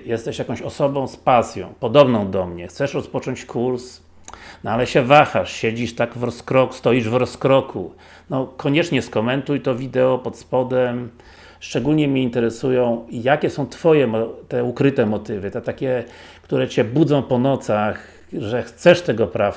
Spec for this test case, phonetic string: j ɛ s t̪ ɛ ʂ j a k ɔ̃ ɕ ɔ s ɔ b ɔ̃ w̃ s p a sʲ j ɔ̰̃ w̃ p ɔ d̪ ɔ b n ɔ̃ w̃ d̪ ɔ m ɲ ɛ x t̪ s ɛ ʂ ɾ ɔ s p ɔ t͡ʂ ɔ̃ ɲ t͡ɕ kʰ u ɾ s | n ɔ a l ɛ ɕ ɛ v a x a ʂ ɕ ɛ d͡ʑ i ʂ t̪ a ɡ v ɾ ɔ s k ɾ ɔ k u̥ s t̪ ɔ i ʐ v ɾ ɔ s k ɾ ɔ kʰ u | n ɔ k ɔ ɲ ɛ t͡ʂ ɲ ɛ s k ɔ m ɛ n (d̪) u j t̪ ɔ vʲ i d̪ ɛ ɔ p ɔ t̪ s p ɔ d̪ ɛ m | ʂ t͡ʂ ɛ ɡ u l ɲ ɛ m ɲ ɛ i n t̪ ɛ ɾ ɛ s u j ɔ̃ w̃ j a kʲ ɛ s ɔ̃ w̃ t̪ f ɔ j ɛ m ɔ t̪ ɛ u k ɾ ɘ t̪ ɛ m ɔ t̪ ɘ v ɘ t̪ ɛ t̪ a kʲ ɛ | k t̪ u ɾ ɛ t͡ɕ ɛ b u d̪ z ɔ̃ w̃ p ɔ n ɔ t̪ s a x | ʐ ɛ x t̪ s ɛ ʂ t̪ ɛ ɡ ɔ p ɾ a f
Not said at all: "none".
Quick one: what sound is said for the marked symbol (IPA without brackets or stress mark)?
t̪